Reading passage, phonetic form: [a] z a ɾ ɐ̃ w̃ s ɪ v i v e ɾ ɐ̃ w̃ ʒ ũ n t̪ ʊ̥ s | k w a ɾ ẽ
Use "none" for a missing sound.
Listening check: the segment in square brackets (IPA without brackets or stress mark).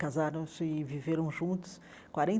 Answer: a